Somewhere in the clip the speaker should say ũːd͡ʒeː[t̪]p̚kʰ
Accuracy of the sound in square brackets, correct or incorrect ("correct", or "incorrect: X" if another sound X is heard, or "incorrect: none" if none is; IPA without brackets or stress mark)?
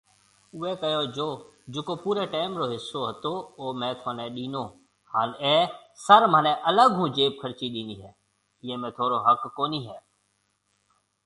incorrect: none